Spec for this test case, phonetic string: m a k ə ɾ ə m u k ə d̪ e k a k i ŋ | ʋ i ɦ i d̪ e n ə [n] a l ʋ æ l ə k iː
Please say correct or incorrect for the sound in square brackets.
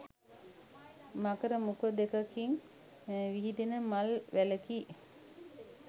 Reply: incorrect